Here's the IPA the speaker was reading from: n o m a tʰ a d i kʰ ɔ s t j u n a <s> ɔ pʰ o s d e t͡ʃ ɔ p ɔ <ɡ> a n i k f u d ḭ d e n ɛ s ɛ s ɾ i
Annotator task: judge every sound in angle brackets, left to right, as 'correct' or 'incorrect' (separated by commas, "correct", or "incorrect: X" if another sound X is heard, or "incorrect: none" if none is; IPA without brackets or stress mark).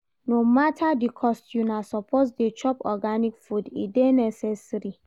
correct, correct